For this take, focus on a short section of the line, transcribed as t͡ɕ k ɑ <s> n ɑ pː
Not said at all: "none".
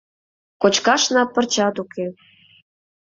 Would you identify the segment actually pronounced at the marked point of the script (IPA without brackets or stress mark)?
ʃ